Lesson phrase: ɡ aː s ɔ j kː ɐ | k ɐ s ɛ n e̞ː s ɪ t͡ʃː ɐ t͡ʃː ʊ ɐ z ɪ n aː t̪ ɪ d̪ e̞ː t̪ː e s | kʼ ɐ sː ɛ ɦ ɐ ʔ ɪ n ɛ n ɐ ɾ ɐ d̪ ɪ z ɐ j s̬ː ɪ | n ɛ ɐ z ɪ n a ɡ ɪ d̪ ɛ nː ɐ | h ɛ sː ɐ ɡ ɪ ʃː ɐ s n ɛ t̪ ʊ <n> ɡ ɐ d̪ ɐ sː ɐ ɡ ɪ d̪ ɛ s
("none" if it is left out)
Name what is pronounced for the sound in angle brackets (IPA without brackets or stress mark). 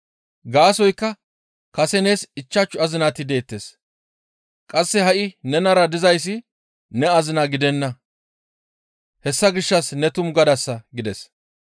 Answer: m